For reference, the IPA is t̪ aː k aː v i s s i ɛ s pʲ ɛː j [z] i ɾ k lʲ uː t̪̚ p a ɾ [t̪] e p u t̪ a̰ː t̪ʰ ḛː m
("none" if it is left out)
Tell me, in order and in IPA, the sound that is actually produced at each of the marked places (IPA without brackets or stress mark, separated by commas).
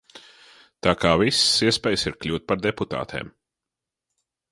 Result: s, d̪